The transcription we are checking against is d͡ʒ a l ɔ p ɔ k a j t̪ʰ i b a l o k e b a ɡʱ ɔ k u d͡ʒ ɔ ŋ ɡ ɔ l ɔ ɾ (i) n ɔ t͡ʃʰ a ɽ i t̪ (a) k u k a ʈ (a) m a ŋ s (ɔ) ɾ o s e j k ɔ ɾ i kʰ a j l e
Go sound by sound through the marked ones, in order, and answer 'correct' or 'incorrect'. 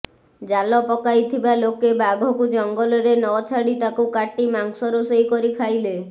incorrect, correct, incorrect, correct

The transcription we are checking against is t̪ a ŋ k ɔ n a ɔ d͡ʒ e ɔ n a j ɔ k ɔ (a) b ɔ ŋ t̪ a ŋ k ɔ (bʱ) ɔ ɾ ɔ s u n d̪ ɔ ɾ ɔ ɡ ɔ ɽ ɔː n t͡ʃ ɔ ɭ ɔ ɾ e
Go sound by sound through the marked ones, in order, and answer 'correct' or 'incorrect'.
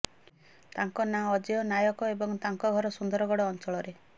incorrect, incorrect

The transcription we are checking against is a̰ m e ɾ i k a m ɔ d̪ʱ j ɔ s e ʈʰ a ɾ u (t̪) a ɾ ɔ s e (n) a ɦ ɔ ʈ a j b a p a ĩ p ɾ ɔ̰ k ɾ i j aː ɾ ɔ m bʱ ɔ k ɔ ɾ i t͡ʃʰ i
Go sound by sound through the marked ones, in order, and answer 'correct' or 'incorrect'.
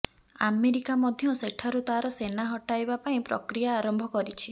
correct, correct

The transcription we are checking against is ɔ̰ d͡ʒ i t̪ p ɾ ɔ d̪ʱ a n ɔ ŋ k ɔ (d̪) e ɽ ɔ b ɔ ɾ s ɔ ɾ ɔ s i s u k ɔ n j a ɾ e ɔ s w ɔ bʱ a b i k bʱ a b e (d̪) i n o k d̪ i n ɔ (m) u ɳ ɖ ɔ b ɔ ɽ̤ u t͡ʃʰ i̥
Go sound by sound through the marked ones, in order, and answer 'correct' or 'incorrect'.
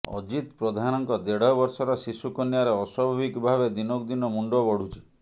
correct, correct, correct

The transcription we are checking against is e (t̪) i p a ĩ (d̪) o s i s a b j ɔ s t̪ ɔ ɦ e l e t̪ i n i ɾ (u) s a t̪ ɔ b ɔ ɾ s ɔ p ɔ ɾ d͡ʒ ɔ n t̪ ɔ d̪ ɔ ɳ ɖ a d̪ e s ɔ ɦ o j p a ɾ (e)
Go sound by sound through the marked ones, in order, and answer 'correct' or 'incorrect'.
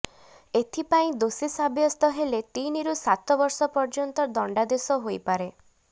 incorrect, correct, correct, correct

